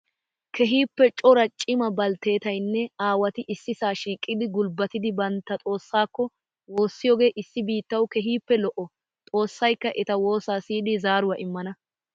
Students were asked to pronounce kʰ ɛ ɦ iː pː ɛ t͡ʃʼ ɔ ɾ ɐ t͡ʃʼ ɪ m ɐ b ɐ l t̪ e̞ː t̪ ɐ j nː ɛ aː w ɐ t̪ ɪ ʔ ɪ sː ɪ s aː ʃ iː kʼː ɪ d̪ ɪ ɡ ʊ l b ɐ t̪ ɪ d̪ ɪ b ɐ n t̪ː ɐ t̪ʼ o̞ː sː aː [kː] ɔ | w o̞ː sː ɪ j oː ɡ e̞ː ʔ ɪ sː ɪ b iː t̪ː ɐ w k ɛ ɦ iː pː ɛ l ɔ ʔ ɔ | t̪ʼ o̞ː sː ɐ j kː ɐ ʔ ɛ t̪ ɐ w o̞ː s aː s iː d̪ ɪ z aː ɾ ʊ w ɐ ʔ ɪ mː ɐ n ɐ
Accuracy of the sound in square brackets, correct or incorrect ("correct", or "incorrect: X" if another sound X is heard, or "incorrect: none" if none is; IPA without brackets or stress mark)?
correct